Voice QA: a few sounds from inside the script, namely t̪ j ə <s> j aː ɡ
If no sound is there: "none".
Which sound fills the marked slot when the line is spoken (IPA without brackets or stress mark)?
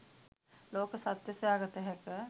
s